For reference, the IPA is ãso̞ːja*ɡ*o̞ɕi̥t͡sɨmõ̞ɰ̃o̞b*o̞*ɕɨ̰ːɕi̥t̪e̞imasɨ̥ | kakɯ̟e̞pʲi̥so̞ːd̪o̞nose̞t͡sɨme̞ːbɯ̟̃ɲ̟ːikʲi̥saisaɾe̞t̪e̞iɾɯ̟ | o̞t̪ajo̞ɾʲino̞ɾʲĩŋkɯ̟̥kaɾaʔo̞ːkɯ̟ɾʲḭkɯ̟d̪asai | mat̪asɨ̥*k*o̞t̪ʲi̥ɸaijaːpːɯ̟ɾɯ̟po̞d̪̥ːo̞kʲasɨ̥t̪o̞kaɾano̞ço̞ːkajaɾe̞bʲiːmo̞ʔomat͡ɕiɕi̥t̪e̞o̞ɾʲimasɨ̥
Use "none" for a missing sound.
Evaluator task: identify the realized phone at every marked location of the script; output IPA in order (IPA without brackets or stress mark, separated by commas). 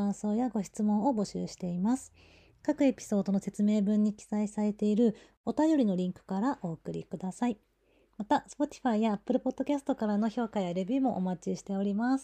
ɡ, o̞, p